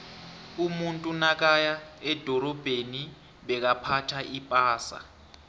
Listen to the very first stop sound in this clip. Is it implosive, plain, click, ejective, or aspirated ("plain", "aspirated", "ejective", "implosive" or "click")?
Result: ejective